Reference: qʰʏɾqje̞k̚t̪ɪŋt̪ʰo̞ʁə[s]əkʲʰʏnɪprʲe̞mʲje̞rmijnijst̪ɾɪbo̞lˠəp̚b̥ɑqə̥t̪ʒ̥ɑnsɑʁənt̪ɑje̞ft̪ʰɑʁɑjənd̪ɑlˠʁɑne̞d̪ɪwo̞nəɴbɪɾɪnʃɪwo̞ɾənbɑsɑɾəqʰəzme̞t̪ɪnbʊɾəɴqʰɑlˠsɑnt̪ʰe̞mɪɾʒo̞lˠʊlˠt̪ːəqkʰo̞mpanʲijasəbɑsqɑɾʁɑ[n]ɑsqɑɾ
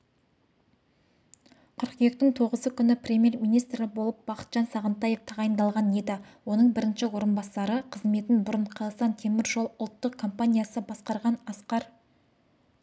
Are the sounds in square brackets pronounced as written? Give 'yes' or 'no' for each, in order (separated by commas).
no, yes